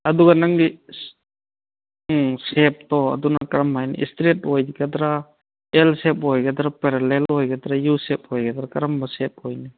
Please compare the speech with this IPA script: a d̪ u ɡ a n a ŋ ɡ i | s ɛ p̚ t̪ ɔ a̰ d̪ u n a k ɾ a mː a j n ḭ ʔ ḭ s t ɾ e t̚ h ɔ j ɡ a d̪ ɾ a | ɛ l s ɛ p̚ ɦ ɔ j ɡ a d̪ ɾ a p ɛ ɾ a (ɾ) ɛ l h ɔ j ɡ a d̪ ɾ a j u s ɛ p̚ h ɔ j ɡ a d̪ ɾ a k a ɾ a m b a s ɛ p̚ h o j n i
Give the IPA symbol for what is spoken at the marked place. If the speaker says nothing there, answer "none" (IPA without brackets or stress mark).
l